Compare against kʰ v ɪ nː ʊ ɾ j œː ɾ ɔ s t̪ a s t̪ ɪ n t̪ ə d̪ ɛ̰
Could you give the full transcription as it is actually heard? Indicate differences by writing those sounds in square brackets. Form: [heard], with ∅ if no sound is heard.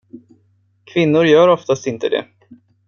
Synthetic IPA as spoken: kʰ v ɪ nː ʊ ɾ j œː ɾ ɔ [f] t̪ a s t̪ ɪ n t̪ ə d̪ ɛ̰

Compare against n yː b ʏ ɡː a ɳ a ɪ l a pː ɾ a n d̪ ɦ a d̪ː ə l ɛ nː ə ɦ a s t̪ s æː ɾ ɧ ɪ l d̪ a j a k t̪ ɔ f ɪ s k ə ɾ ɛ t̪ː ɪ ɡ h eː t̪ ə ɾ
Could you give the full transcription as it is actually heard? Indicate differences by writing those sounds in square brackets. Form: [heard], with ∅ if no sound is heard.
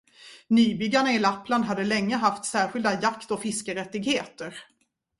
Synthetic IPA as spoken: n yː b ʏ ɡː a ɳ a ɪ l a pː [l] a n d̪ ɦ a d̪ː ə l ɛ [ŋː] ə ɦ a [f] t̪ s æː ɾ ɧ ɪ l d̪ a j a k t̪ ɔ f ɪ s k ə ɾ ɛ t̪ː ɪ ɡ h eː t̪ ə ɾ

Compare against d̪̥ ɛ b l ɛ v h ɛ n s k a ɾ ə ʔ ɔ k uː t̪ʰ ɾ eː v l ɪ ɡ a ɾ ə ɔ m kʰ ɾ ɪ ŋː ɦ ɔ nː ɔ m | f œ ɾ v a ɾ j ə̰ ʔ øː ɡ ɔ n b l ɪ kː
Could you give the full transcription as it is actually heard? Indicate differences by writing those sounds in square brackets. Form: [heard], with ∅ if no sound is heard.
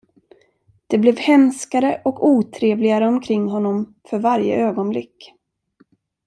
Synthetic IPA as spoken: d̪̥ ɛ b l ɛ v h ɛ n s k a ɾ ə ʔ ɔ k uː t̪ʰ ɾ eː v l ɪ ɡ a ɾ ə ɔ m kʰ ɾ ɪ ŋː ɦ ɔ nː ɔ m | f œ ɾ v a ɾ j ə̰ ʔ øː ɡ ɔ n b l ɪ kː

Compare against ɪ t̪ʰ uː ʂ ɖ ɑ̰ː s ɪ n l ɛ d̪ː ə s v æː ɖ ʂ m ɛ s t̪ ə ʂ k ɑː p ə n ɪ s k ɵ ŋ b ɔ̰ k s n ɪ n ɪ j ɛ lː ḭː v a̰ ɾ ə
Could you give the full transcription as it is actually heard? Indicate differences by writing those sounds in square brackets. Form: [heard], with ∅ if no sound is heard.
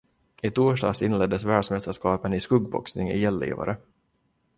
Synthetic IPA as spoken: ɪ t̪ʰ uː ʂ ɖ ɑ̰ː s ɪ n l ɛ d̪ː ə s v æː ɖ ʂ m ɛ s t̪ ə ʂ k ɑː p ə n ɪ s k ɵ [ɡ] b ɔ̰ k s n ɪ [ŋ] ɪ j ɛ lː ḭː v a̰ ɾ ə

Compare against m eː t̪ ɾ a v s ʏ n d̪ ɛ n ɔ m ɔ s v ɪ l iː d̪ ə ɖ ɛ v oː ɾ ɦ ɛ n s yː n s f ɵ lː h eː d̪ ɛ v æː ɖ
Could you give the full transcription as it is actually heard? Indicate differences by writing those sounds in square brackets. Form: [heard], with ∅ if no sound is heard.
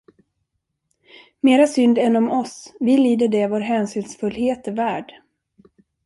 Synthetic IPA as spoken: m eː [∅] ɾ a [∅] s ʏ n d̪ ɛ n ɔ m ɔ s v ɪ l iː d̪ ə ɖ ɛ v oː ɾ ɦ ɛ n s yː n s f ɵ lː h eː [t̪] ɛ v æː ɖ

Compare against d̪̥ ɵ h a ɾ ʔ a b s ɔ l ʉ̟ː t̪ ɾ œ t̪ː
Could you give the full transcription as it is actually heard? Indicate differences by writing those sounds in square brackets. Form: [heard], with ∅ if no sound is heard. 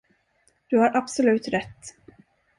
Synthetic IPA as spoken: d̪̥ ɵ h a ɾ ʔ a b s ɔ l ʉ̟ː t̪ ɾ [ɛ] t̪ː

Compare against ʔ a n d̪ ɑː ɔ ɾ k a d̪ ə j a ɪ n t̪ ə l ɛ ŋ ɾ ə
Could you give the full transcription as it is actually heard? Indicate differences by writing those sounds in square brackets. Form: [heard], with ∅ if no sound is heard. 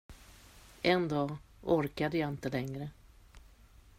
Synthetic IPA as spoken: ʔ [ɛ] n d̪ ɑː ɔ ɾ k a d̪ ə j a ɪ n t̪ ə l ɛ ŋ ɾ ə

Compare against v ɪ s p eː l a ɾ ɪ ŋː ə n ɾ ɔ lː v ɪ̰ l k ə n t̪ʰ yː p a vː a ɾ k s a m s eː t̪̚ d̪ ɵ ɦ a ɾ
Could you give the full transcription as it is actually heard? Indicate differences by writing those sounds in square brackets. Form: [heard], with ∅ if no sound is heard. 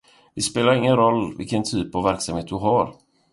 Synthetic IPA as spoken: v ɪ s p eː l a ɾ ɪ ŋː ə n ɾ ɔ lː v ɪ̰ l k ə n t̪ʰ yː p a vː [æ] ɾ k s a m [h] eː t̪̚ d̪ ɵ ɦ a ɾ

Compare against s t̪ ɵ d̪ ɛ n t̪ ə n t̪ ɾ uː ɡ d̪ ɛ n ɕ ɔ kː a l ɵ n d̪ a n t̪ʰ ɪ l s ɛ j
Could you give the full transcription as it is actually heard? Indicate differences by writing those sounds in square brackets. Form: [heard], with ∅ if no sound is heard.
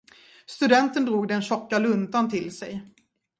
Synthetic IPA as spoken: s t̪ ɵ d̪ ɛ n t̪ ə n [d̪] ɾ uː ɡ d̪ ɛ n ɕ ɔ kː a l ɵ n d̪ a n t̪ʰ ɪ l s ɛ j

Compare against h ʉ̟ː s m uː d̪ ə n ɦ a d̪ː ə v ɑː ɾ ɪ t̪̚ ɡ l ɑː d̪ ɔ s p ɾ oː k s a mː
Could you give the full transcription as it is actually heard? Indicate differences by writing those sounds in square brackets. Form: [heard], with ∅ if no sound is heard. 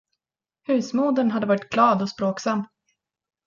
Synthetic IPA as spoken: h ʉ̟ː s m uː d̪ ə n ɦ a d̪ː ə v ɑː ɾ ɪ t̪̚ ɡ l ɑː d̪ ɔ s p ɾ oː k s a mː

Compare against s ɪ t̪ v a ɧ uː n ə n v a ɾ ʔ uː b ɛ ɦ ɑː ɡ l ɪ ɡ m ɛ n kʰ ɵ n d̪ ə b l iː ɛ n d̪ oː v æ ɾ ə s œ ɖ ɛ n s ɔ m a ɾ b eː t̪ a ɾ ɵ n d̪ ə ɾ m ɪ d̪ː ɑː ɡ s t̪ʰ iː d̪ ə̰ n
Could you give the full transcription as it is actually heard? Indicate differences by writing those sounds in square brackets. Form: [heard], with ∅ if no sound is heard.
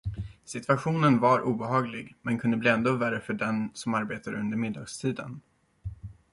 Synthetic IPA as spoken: s ɪ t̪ v a ɧ uː n ə n v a ɾ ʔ uː b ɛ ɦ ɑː ɡ l ɪ ɡ m ɛ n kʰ ɵ n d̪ ə b l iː ɛ n d̪ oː v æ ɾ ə [f] œ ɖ ɛ n s ɔ m a ɾ b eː t̪ a ɾ ɵ n d̪ ə ɾ m ɪ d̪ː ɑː ɡ s t̪ʰ iː d̪ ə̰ n

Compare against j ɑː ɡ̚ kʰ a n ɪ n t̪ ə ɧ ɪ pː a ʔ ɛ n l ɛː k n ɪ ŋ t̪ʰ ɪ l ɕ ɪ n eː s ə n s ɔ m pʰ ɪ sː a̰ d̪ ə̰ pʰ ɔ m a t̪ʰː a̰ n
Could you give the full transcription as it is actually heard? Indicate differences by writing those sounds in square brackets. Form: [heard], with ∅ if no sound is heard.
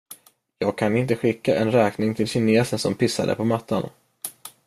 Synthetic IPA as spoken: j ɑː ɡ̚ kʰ a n ɪ n t̪ ə ɧ ɪ [kː] a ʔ ɛ n [ɾ] ɛː k n ɪ ŋ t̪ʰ ɪ l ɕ ɪ n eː s ə n s ɔ m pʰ ɪ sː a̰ d̪ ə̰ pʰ ɔ m a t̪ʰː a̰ n

